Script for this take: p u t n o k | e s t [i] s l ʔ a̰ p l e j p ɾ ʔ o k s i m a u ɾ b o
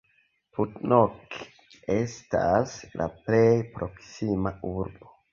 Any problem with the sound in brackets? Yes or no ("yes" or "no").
yes